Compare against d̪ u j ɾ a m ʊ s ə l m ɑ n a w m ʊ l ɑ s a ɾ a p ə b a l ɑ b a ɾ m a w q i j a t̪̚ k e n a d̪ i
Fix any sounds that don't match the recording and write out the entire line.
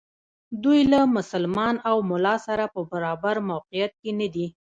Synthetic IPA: d̪ u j l a m ʊ s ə l m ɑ n a w m ʊ l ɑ s a ɾ a p ə b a ɾ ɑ b a ɾ m a w q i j a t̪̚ k e n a d̪ i